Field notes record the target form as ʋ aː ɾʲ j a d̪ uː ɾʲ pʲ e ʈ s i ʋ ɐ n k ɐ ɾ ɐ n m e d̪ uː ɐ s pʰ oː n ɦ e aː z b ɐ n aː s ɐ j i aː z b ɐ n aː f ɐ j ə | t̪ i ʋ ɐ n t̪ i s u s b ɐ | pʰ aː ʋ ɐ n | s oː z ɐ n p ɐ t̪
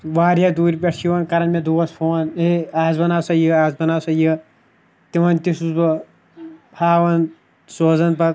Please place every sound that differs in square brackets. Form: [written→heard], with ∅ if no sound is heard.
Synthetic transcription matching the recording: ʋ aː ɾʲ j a d̪ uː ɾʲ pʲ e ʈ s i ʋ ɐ n k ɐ ɾ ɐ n m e d̪ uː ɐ s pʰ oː n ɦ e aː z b ɐ n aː s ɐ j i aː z b ɐ n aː [f→s] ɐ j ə | t̪ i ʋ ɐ n t̪ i s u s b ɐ | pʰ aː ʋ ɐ n | s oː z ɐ n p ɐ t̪